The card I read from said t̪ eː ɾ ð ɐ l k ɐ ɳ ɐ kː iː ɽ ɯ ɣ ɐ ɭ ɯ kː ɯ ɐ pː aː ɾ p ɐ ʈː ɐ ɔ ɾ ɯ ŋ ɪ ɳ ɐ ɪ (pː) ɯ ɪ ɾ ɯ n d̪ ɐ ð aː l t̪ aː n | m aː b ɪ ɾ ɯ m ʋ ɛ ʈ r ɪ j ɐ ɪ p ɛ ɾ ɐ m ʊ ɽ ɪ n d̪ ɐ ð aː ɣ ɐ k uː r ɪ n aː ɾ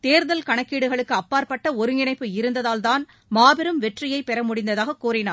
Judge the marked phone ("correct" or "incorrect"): correct